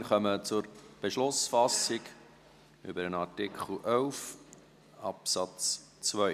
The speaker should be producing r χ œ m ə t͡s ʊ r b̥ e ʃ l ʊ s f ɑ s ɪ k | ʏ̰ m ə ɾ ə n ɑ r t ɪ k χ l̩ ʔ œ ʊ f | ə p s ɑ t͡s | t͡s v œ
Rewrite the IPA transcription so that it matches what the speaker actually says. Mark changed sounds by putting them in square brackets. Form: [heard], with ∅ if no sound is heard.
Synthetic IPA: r χ œ m ə t͡s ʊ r b̥ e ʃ l ʊ s f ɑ s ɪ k | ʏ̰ [b] ə ɾ ə n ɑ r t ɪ k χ l̩ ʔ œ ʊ f | [ɑ] p s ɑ t͡s | t͡s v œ